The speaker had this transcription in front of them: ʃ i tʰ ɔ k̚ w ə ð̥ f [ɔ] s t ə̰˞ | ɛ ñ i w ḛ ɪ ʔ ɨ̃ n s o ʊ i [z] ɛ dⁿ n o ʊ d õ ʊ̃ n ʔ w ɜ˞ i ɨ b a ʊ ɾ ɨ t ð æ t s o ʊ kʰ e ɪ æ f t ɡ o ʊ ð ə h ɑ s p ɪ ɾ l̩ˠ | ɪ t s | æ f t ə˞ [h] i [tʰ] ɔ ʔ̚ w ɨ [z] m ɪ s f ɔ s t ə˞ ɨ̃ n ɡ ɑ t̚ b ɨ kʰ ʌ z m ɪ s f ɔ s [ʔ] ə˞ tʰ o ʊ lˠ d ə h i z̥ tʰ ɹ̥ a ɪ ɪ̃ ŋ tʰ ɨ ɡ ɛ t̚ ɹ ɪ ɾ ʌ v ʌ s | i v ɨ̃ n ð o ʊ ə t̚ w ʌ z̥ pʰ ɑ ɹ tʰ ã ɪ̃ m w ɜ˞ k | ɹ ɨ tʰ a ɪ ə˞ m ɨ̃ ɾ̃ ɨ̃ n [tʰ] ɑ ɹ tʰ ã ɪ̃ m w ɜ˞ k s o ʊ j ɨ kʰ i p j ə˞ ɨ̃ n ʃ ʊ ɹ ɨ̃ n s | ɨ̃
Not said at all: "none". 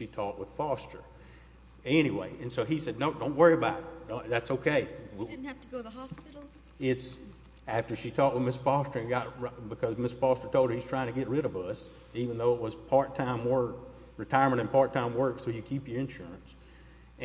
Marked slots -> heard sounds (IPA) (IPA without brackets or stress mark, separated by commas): ɔ, s, ʃ, tʰ, ð, t, pʰ